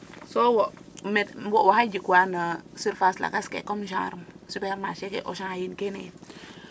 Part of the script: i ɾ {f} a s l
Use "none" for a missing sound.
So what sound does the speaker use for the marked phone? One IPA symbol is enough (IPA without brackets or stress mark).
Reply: f